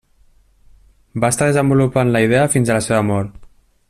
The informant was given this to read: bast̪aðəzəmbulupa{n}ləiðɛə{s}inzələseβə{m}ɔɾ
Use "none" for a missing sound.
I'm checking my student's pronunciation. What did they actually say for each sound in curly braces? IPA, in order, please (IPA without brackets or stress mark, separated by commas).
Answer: n, f, m